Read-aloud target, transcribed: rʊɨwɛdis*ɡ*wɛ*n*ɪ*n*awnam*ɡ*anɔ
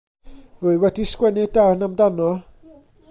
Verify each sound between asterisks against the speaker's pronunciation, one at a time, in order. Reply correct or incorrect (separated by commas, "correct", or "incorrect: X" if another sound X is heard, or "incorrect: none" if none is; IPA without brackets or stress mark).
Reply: incorrect: k, correct, incorrect: d, incorrect: d